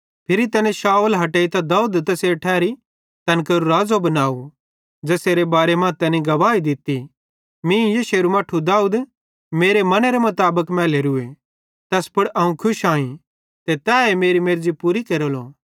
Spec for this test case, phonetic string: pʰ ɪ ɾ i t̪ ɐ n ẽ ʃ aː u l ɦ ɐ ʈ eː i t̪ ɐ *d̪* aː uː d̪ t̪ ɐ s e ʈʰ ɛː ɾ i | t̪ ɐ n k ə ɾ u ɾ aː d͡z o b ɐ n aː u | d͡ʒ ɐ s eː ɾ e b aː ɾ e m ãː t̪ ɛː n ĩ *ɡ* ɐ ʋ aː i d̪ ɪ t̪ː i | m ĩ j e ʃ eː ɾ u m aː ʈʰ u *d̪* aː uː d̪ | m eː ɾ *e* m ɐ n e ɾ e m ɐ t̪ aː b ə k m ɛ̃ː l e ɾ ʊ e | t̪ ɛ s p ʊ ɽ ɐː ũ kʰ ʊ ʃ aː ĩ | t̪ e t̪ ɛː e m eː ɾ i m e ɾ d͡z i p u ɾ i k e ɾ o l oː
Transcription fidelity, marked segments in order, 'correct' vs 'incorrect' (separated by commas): correct, correct, correct, correct